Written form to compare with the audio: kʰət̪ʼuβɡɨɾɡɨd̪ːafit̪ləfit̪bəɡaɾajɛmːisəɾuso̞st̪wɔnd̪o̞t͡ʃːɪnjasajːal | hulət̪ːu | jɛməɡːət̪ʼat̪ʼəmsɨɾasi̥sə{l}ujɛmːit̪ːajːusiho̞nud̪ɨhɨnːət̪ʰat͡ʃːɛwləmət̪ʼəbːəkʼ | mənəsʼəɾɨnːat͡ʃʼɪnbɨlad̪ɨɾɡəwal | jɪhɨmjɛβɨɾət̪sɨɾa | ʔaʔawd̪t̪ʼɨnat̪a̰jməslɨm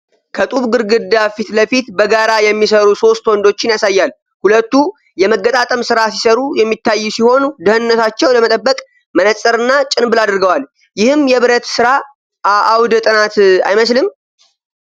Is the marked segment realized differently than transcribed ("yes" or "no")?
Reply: yes